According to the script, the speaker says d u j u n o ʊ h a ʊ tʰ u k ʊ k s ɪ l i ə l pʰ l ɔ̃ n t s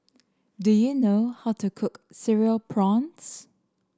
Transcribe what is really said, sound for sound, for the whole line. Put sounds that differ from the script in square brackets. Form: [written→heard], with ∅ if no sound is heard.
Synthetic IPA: d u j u n o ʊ h a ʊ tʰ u [k→kʰ] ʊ k s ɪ [l→ɹ] i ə l pʰ [l→ɹ] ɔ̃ n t s